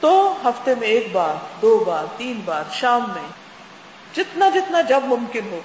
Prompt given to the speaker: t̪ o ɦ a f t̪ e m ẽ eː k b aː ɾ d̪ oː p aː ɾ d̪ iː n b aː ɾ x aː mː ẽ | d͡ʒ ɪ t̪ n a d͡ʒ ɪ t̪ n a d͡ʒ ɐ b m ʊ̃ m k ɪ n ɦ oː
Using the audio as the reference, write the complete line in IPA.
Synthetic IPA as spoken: t̪ o ɦ ɐ f t̪ e m ẽ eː k b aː ɾ d̪ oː b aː ɾ t̪ iː n b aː ɾ ʃ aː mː ẽ | d͡ʒ ɪ t̪ n a d͡ʒ ɪ t̪ n a d͡ʒ ɐ b m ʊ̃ m k ɪ n ɦ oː